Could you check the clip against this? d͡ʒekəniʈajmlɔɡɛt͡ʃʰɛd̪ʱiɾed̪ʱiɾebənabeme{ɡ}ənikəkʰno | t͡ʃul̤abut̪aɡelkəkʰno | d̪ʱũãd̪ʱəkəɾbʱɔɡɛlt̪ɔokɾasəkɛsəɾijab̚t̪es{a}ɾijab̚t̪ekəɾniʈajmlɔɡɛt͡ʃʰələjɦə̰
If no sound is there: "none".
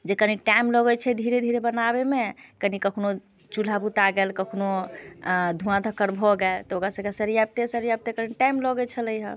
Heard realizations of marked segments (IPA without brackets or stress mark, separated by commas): k, ə